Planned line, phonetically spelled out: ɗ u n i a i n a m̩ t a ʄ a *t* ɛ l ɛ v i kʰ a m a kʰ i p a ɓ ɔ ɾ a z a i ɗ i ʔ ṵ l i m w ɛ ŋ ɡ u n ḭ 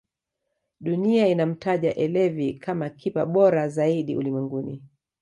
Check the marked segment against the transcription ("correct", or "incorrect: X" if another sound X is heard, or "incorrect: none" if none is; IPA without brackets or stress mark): incorrect: ʔ